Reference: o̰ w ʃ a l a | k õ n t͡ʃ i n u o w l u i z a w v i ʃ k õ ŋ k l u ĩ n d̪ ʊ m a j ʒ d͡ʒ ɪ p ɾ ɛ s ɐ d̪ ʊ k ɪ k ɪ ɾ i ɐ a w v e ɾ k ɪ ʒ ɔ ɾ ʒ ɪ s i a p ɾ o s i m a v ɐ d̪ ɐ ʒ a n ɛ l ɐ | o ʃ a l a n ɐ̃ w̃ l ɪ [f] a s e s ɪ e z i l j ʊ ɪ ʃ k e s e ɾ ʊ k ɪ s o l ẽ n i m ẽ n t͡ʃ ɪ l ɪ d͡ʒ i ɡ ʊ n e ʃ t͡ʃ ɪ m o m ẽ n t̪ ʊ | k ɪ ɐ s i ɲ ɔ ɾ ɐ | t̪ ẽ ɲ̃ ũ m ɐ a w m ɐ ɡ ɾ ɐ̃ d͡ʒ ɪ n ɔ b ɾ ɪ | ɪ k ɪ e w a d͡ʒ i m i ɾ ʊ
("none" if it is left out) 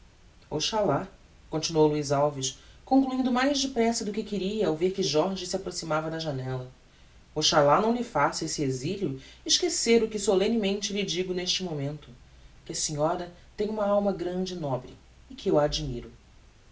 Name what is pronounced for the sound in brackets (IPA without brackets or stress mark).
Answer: f